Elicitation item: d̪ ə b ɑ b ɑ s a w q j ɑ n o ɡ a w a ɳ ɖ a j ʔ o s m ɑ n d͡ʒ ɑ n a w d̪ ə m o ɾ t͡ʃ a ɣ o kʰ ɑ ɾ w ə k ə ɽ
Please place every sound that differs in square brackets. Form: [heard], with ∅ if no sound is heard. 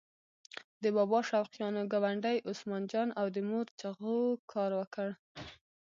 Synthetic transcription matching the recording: d̪ ə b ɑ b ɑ [ʃ] a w q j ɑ n o ɡ a w a ɳ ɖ a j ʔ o s m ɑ n d͡ʒ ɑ n a w d̪ ə m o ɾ t͡ʃ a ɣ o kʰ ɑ ɾ w ə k ə ɽ